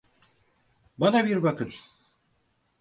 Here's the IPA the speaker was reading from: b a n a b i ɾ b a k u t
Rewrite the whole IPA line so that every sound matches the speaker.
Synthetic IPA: b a n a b i ɾ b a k ɯ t